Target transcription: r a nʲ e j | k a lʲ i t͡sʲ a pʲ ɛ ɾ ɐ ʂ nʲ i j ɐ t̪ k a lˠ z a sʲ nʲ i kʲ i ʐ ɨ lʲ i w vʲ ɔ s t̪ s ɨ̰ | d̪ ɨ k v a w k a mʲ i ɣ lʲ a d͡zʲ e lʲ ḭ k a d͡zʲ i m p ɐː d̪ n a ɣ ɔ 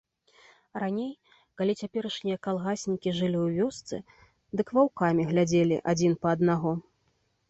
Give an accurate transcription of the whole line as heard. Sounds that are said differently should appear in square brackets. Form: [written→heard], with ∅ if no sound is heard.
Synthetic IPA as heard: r a nʲ e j | k a lʲ i t͡sʲ a pʲ ɛ ɾ ɐ ʂ nʲ i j ɐ [t̪→∅] k a lˠ [z→ɣ] a sʲ nʲ i kʲ i ʐ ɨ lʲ i w vʲ ɔ s t̪ s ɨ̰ | d̪ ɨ k v a w k a mʲ i ɣ lʲ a d͡zʲ e lʲ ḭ [k→ʔ] a d͡zʲ i [m→n] p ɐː d̪ n a ɣ ɔ